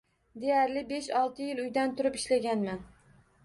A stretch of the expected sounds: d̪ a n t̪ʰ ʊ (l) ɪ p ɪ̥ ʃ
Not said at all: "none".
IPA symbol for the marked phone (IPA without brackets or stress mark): ɾ